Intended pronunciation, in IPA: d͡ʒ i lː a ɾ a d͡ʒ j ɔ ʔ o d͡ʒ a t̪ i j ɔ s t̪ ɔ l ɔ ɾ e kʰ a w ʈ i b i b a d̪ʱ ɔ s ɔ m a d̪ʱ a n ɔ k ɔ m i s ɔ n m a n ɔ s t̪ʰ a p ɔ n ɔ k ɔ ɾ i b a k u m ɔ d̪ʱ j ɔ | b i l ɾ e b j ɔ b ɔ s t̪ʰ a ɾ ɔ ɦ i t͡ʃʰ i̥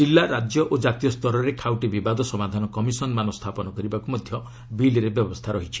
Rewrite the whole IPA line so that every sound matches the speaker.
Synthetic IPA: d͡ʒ i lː a ɾ a d͡ʒ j ɔ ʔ o d͡ʒ a t̪ i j ɔ s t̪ ɔ ɾ ɔ ɾ e kʰ a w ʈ i b i b a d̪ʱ ɔ s ɔ m a d̪ʱ a n ɔ k ɔ m i s ɔ n m a n ɔ s t̪ʰ a p ɔ n ɔ k ɔ ɾ i b a k u m ɔ d̪ʱ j ɔ | b i l ɾ e b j ɔ b ɔ s t̪ʰ a ɾ ɔ ɦ i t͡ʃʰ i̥